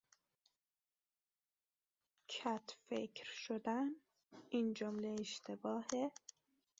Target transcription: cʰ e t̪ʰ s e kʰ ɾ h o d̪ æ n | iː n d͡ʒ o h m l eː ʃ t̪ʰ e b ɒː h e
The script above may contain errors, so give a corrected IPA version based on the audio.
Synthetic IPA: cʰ æ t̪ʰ f e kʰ ɾ ʃ o d̪ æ n | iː n d͡ʒ o m l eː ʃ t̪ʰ e b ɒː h e